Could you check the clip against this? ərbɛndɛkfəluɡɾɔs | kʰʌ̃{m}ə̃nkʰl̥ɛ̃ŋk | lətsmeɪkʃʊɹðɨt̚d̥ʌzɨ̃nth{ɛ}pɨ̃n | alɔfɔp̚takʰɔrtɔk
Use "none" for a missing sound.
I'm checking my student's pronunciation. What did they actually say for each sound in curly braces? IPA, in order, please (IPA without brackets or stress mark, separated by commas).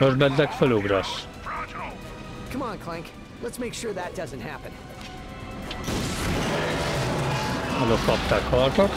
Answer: m, æ